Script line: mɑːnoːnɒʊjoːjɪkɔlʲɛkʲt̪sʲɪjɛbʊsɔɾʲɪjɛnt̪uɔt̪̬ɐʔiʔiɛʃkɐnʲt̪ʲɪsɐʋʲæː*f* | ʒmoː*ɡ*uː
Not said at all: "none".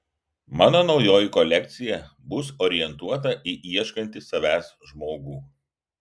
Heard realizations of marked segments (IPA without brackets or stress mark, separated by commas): s, ɡ